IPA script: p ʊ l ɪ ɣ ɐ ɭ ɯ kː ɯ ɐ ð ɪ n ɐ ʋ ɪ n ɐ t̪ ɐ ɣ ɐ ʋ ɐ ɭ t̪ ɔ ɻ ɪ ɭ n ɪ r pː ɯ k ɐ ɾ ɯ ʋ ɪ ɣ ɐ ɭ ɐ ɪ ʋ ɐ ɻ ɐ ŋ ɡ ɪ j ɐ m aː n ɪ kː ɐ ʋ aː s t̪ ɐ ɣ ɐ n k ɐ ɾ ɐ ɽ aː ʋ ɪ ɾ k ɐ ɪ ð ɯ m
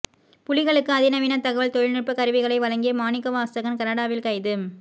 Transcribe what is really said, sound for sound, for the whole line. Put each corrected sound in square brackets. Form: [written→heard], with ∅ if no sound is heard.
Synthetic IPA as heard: p ʊ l ɪ ɣ ɐ ɭ ɯ kː ɯ ɐ ð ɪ n ɐ ʋ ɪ n ɐ t̪ ɐ ɣ ɐ ʋ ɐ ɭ t̪ ɔ ɻ ɪ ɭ n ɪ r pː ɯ k ɐ ɾ ɯ ʋ ɪ ɣ ɐ ɭ ɐ ɪ ʋ ɐ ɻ ɐ ŋ ɡ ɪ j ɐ m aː n ɪ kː ɐ ʋ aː s t̪ ɐ ɣ ɐ n k ɐ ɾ ɐ ɽ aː ʋ ɪ [ɾ→l] k ɐ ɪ ð ɯ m